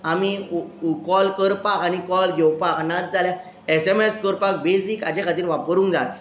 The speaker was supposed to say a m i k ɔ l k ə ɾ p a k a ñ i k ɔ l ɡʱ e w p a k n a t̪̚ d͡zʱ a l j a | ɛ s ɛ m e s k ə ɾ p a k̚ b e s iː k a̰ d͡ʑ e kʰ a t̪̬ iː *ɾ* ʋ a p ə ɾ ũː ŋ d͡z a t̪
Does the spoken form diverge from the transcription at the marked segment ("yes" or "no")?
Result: no